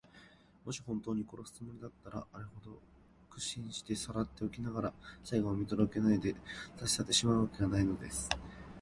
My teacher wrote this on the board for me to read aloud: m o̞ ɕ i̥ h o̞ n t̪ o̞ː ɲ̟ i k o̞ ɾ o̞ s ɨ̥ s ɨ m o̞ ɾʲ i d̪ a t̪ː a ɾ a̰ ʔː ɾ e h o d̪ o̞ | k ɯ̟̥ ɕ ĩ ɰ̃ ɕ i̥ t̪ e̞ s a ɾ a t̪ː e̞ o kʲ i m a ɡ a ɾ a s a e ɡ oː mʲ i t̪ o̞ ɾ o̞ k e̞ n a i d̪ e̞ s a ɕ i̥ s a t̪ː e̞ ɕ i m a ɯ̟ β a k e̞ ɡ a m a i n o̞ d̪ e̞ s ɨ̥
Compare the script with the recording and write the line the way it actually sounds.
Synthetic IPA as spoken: m o̞ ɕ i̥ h õ̞ n t̪ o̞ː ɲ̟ i k o̞ ɾ o̞ s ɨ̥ t͡s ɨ m o̞ ɾʲ i d̪ a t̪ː a ɾ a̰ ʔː ɾ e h o d̪ o̞ | k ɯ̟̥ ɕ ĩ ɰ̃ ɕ i̥ t̪ e̞ s a ɾ a t̪ː e̞ o kʲ i n a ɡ a ɾ a s a i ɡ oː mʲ i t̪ o̞ ɾ o̞ k e̞ n a i d̪ e̞ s a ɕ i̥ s a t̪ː e̞ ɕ i m a ɯ̟ β a k e̞ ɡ a n a i n o̞ d̪ e̞ s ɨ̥